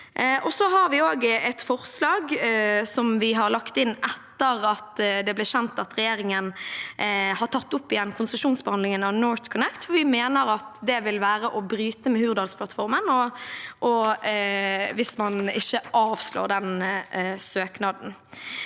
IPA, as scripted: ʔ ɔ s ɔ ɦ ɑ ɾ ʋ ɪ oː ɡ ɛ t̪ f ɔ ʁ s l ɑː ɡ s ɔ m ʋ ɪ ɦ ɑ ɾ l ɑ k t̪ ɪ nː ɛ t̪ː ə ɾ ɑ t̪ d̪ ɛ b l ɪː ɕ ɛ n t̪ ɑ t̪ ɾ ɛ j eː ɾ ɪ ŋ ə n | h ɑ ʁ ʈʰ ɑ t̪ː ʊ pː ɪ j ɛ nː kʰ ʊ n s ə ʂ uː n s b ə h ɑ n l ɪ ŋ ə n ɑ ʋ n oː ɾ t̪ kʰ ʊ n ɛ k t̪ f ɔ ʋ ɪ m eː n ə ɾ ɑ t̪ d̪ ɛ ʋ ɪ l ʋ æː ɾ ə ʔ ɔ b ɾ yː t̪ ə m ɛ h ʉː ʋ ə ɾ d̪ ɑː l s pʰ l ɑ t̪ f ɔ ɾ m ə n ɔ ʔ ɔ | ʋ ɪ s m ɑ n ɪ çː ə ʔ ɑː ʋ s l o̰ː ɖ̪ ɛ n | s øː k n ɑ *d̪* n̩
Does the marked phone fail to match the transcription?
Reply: no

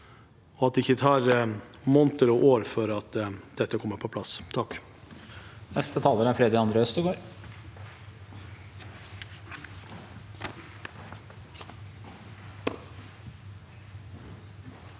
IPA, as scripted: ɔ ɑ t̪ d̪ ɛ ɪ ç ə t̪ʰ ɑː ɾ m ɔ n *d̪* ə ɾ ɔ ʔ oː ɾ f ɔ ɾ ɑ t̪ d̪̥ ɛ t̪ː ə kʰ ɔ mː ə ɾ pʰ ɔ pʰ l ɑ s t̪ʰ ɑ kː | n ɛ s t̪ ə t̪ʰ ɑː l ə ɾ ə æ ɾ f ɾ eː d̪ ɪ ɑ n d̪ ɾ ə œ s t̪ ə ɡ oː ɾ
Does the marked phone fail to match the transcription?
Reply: yes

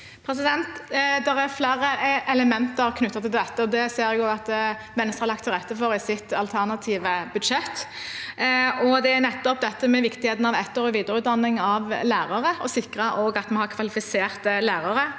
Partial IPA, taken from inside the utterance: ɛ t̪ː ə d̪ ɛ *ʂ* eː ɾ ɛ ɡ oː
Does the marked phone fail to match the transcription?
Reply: yes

